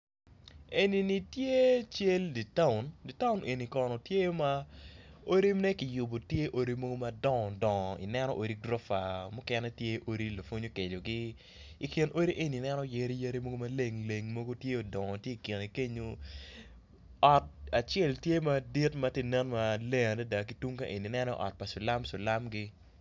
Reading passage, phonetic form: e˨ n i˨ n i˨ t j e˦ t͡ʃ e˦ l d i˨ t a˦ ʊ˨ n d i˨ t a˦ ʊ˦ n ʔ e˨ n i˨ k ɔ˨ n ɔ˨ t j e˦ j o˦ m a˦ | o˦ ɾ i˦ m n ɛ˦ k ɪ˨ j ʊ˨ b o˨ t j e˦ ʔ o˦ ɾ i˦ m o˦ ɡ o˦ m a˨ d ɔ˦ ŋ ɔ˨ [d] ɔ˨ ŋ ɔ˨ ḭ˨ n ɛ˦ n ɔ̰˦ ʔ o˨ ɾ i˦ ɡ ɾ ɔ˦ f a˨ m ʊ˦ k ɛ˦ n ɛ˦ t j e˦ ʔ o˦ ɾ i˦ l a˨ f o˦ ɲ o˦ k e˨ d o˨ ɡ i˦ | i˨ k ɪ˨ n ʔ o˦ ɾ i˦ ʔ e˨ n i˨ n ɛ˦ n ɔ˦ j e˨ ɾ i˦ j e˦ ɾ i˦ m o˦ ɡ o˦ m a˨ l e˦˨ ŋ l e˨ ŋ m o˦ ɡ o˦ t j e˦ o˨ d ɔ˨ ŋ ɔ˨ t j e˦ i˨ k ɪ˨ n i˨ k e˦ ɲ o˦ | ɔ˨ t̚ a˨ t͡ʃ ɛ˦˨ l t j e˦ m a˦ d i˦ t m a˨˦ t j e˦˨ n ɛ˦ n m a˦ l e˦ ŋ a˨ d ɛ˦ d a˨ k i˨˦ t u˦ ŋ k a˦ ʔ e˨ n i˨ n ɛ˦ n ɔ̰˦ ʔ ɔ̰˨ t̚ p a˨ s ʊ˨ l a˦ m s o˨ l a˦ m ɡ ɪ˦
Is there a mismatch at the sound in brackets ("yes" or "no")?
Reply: no